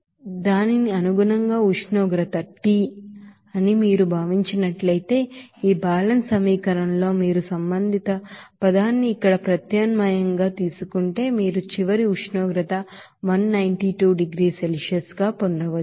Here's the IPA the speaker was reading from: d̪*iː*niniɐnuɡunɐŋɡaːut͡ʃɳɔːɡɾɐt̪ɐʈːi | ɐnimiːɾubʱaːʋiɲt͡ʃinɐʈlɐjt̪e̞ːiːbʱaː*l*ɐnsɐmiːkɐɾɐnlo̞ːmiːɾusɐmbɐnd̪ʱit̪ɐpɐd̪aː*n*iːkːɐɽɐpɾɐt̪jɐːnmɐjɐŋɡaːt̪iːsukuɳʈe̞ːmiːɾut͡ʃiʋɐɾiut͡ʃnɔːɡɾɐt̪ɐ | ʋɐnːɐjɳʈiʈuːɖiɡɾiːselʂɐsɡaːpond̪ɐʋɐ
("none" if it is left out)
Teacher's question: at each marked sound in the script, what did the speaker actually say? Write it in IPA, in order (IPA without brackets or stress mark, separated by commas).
aː, l, nː